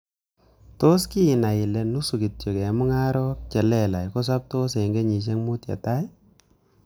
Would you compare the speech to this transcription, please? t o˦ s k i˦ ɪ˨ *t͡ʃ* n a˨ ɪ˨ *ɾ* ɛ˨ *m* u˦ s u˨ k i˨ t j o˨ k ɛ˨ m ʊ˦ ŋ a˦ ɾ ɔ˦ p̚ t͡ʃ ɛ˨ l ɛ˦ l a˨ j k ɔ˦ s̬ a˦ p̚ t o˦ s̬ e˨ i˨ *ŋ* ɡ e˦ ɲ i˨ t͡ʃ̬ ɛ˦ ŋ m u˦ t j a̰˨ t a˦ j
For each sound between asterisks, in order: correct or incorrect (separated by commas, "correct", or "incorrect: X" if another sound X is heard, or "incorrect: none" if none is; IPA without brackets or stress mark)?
incorrect: none, incorrect: l, incorrect: n, correct